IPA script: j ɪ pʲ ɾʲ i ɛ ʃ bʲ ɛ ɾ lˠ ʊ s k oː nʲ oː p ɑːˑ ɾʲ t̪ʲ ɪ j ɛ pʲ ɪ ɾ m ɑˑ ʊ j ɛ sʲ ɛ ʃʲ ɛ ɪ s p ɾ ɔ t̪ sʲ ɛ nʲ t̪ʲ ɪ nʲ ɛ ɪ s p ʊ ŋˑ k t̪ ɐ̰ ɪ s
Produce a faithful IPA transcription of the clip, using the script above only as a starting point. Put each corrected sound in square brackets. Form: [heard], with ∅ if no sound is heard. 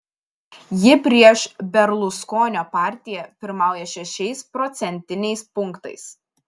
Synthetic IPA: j ɪ pʲ ɾʲ i ɛ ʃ bʲ ɛ ɾ lˠ ʊ s k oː nʲ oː p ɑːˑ ɾʲ t̪ʲ ɪ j ɛ pʲ ɪ ɾ m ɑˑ ʊ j ɛ [ʃʲ] ɛ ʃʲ ɛ ɪ s p ɾ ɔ t̪ sʲ ɛ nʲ t̪ʲ ɪ nʲ ɛ ɪ s p ʊ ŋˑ k t̪ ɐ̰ ɪ s